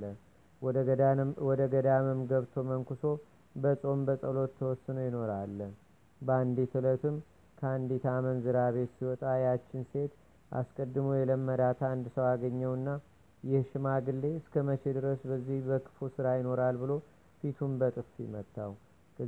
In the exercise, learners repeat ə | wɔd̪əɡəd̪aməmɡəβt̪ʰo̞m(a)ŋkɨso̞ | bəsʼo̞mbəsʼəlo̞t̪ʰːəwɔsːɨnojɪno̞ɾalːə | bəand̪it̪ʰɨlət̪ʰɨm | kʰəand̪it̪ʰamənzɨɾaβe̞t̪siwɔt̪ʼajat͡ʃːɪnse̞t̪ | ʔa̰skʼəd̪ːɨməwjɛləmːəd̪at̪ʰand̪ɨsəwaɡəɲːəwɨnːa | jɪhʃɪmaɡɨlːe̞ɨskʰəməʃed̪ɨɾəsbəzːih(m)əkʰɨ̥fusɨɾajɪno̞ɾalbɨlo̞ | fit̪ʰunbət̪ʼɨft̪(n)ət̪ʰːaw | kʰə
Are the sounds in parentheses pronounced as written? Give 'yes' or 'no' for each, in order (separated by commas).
no, no, no